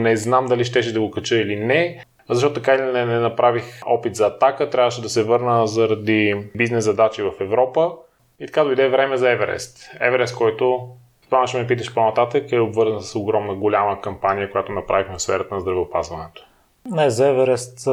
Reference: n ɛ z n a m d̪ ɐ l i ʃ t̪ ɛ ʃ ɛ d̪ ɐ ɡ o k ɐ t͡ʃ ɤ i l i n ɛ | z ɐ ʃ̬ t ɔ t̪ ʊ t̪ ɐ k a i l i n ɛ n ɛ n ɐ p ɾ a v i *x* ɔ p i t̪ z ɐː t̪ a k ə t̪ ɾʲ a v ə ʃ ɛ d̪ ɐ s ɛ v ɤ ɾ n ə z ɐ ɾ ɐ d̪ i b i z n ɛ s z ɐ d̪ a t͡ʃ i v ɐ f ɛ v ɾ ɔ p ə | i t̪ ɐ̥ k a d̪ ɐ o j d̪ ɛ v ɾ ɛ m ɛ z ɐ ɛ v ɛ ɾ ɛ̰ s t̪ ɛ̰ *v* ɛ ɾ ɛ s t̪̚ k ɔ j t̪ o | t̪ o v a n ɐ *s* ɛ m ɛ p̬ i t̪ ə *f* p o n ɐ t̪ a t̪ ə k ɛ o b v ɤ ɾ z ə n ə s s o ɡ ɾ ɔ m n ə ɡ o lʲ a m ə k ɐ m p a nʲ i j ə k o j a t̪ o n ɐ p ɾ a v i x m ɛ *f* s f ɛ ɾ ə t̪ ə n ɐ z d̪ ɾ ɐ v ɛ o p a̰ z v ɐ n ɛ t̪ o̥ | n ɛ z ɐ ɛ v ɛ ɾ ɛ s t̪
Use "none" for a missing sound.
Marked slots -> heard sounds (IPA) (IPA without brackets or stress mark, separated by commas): x, v, ʃ, ʃ, f